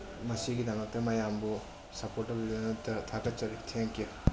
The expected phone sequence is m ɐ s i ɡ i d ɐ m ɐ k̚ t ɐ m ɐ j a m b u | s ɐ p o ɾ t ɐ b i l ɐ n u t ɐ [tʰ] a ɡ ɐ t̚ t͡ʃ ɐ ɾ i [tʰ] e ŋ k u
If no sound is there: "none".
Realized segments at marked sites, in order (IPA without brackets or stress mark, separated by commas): tʰ, tʰ